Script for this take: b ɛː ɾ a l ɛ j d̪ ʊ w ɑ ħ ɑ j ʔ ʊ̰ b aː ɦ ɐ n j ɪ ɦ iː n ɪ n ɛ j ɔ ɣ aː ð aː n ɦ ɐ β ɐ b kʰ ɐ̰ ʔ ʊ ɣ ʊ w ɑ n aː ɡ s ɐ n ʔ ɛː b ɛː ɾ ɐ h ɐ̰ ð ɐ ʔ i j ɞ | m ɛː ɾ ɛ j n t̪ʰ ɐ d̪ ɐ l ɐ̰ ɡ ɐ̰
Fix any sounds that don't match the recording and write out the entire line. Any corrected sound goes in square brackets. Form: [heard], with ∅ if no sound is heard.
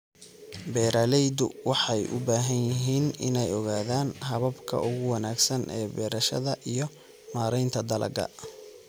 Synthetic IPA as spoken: b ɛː ɾ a l ɛ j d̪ ʊ w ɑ ħ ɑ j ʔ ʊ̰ b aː ɦ ɐ n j ɪ ɦ iː n ɪ n ɛ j ɔ ɣ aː ð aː n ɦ ɐ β ɐ b kʰ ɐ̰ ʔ ʊ ɣ ʊ w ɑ n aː ɡ s ɐ n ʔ ɛː b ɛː ɾ ɐ [ʃ] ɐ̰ ð ɐ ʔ i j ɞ | m [aː] ɾ ɛ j n t̪ʰ ɐ d̪ ɐ l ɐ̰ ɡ ɐ̰